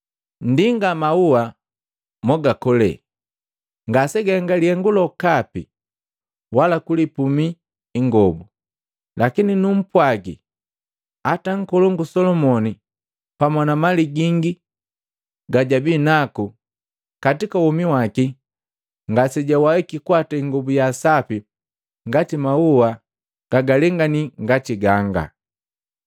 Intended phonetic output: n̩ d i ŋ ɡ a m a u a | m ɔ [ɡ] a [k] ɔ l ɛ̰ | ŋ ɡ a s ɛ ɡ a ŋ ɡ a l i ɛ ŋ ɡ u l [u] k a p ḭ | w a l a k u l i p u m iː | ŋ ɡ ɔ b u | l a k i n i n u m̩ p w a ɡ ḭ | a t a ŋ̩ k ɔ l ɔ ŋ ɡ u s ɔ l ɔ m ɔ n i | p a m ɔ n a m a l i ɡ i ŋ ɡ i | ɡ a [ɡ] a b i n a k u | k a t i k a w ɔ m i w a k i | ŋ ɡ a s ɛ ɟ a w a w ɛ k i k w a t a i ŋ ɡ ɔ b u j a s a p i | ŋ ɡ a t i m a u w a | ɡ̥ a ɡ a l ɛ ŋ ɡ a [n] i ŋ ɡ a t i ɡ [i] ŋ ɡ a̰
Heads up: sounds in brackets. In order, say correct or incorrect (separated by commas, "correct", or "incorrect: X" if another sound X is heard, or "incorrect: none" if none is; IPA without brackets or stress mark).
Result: correct, correct, incorrect: ɔ, incorrect: ɟ, correct, incorrect: a